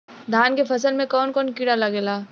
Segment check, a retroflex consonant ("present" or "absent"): present